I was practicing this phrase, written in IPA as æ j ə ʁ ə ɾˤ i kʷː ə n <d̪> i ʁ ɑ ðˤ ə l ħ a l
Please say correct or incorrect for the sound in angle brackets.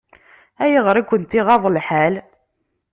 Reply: incorrect